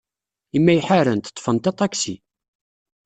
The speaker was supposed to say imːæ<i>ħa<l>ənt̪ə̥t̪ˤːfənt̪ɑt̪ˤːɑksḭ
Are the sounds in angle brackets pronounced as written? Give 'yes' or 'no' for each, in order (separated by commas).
no, no